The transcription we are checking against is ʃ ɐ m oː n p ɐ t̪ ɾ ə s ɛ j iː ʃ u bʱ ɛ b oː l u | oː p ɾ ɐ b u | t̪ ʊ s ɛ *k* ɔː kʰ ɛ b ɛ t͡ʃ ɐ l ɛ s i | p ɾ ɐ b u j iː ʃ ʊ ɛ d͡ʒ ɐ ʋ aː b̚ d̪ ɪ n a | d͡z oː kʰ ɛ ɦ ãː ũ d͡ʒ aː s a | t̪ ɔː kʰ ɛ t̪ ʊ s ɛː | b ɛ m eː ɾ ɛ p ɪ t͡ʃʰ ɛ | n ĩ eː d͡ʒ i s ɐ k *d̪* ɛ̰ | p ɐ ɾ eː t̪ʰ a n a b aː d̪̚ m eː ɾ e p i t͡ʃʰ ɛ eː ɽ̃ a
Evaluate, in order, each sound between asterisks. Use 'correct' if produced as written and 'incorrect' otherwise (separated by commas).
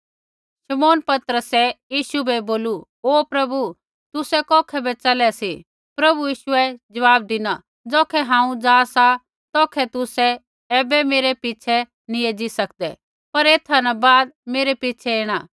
correct, correct